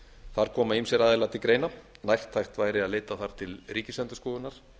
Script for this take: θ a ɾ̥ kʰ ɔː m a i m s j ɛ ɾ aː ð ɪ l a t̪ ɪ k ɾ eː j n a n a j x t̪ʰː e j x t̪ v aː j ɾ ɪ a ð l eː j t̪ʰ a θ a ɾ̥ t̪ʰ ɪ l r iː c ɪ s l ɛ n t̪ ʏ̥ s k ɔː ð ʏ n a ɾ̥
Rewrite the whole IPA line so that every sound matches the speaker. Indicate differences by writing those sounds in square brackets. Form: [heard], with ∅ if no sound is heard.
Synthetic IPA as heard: θ a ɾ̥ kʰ ɔː m a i m s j ɛ ɾ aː ð ɪ l a t̪ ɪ k ɾ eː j n a n a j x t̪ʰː [a] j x t̪ v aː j ɾ ɪ a ð l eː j [t̪] a θ a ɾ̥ t̪ʰ ɪ l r iː c ɪ s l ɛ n t̪ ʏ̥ s k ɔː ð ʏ n a ɾ̥